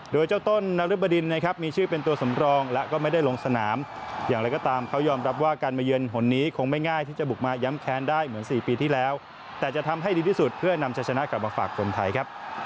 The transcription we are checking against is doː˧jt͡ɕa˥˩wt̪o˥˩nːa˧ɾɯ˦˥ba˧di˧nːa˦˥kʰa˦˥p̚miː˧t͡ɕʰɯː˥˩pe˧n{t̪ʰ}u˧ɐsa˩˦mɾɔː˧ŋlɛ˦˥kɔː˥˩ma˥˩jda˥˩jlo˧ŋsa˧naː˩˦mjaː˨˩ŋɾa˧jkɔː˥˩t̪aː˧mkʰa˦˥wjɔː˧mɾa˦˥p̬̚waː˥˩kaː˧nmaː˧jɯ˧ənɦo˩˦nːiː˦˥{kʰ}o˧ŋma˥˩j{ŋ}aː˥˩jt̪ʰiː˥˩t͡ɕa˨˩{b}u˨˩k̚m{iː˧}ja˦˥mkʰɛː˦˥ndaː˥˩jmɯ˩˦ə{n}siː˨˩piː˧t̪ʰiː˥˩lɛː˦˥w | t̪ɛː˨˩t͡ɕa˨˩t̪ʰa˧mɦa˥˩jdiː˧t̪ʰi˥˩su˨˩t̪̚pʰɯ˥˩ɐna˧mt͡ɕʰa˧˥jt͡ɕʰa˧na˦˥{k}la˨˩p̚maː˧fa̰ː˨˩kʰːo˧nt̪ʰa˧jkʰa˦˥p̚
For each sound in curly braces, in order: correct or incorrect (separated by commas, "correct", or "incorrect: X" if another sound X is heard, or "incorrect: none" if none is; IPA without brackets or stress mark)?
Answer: incorrect: t̪, correct, correct, correct, incorrect: aː˧, correct, correct